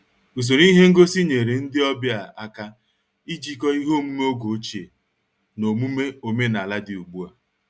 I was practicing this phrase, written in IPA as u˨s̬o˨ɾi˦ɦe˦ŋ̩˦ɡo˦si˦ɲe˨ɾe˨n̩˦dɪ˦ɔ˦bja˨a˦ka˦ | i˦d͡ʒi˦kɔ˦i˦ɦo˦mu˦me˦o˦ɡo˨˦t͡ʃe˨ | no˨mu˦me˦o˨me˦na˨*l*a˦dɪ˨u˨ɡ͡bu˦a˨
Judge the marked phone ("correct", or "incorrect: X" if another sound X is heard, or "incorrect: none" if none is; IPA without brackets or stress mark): correct